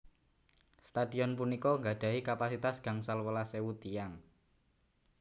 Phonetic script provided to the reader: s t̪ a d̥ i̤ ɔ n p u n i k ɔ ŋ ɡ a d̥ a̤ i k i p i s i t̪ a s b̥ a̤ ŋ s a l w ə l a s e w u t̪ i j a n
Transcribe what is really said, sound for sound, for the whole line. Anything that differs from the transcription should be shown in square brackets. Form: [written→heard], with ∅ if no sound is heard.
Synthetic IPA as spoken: s t̪ a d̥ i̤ ɔ n p u n i k ɔ ŋ ɡ a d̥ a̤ i k [i→a] p [i→a] s i t̪ a s [b̥→ɡ̥] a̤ ŋ s a l w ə l a s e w u t̪ i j a [n→ŋ]